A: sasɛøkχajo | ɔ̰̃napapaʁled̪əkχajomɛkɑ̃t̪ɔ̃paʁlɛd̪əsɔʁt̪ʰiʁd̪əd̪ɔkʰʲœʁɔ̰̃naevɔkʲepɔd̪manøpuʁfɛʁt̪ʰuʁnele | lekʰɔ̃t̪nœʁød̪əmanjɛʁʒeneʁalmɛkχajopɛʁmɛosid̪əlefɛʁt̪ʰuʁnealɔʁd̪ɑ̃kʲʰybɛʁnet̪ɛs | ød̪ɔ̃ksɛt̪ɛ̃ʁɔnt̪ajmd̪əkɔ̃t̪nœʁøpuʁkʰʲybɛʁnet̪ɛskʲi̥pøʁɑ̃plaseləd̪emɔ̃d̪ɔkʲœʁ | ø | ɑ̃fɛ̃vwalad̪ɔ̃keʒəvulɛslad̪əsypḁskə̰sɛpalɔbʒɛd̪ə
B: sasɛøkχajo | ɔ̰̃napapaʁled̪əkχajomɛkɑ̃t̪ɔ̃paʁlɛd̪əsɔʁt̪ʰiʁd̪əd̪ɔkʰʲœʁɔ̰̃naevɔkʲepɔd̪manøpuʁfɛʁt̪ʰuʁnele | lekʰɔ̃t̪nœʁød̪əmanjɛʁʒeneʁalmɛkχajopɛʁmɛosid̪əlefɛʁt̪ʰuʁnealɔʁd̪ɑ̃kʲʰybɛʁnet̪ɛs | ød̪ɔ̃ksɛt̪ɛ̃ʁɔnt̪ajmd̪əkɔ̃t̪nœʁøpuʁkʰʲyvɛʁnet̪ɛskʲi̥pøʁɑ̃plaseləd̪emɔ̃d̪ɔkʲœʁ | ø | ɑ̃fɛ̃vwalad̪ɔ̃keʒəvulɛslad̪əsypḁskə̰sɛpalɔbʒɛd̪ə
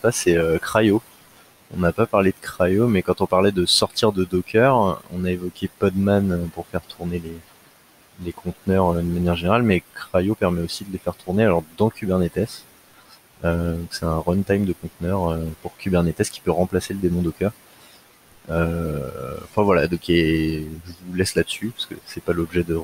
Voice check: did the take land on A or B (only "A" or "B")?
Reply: A